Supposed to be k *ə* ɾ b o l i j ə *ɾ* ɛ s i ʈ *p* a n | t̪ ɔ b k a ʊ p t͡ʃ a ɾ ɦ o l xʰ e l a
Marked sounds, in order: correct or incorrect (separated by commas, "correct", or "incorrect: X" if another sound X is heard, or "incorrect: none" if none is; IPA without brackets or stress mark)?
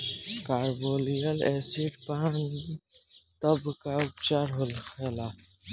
incorrect: a, incorrect: l, correct